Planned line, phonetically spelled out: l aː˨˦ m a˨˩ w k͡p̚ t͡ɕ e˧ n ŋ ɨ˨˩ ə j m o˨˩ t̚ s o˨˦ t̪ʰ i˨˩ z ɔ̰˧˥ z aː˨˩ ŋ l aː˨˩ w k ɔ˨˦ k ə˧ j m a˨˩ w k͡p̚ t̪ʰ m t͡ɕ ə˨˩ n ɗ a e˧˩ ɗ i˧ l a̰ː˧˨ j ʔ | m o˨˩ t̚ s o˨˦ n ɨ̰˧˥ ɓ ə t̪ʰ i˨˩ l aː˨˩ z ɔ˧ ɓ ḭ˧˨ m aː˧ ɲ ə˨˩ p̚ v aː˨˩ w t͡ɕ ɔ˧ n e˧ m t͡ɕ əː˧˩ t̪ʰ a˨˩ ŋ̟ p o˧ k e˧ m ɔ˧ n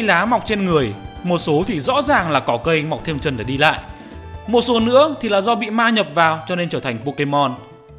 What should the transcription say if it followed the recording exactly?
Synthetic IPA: l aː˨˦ m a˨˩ w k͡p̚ t͡ɕ e˧ n ŋ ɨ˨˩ ə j m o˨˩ t̚ s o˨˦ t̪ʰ i˨˩ z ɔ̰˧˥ z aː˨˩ ŋ l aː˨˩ k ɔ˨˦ k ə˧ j m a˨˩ w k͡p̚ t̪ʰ m t͡ɕ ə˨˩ n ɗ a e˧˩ ɗ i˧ l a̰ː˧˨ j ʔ | m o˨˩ t̚ s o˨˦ n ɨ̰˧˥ ə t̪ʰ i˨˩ l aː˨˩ z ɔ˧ ɓ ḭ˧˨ m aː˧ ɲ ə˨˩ p̚ v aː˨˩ w t͡ɕ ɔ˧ n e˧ n t͡ɕ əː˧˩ t̪ʰ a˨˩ ŋ̟ p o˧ k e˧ m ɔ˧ n